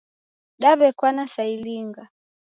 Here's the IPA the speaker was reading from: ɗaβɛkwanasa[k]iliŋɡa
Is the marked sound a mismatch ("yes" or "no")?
yes